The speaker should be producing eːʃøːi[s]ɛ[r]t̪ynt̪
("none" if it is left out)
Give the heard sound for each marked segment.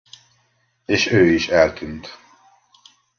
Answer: ʃ, l

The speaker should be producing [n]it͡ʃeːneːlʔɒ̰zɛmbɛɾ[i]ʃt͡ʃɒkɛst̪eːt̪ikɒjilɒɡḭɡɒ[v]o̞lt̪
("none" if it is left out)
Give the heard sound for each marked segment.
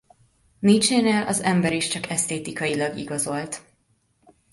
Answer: n, i, z

